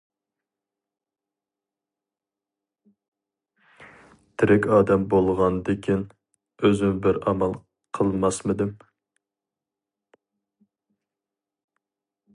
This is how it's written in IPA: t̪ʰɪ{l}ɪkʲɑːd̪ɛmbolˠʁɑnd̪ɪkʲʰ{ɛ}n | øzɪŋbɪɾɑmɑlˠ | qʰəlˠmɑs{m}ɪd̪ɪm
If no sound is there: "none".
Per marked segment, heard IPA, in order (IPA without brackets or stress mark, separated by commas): ɾ, i, m